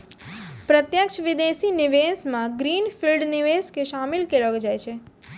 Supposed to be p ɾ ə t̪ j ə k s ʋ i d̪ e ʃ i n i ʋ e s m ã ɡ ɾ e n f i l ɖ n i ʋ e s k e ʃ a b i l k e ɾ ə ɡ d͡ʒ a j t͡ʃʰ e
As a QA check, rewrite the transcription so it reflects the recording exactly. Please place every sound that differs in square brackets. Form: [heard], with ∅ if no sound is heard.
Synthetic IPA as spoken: p ɾ ə t̪ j ə k [ʃ] ʋ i d̪ e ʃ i n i ʋ e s m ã ɡ ɾ [i] n f i l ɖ n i ʋ e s k e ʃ a [m] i l k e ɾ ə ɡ d͡ʒ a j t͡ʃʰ e